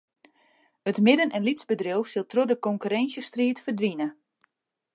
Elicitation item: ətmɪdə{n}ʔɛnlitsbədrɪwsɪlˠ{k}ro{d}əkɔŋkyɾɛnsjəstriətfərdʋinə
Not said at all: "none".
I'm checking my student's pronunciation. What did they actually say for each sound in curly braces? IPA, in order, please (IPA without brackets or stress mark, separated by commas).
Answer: n, t, d